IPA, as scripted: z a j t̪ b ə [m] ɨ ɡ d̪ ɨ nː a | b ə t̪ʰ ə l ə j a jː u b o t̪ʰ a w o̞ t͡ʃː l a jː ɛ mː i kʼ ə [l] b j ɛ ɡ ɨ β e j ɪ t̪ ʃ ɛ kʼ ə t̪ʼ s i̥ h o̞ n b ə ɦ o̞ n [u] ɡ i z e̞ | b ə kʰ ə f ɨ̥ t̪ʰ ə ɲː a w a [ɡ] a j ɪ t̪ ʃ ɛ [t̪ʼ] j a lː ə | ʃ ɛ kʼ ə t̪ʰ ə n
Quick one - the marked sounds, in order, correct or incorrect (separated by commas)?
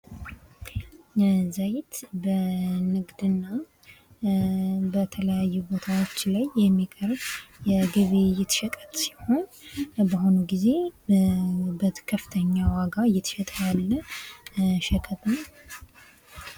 incorrect, incorrect, correct, correct, correct